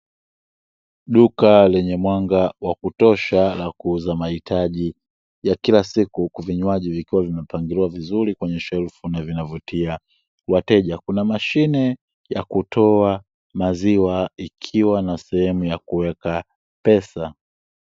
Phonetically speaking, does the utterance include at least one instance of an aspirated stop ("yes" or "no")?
yes